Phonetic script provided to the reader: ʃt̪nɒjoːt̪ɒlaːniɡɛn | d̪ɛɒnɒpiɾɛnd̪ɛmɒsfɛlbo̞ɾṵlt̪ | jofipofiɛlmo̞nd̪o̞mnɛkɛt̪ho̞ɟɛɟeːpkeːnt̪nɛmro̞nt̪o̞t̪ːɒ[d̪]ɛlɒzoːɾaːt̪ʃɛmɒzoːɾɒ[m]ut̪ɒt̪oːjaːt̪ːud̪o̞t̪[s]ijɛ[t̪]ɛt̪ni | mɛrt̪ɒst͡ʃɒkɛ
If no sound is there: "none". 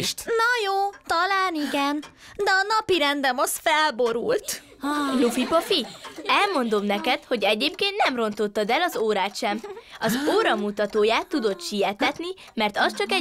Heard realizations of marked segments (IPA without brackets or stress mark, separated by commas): d̪, m, ʃ, t̪